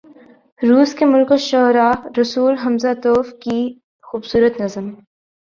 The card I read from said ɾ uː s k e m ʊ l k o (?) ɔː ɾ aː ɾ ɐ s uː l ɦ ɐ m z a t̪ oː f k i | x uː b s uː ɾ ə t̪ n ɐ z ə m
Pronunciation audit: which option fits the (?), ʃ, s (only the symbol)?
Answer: ʃ